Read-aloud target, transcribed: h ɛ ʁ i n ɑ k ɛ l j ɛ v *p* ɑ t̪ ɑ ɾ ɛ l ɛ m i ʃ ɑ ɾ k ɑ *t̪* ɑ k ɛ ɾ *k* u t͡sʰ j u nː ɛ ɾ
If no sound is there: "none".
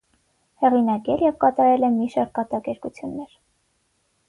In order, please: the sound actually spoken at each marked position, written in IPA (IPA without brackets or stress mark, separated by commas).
k, t̪, k